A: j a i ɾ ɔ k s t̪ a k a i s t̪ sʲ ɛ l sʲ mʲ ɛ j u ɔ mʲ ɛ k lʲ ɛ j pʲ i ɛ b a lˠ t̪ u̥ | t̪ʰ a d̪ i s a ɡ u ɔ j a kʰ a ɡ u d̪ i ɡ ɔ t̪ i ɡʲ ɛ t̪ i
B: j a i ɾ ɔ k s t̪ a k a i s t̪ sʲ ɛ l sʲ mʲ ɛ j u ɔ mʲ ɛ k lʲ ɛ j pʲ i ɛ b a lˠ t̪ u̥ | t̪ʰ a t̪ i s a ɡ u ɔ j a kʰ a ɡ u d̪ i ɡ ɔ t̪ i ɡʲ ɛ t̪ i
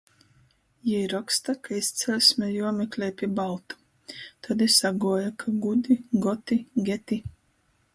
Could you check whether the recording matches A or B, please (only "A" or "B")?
A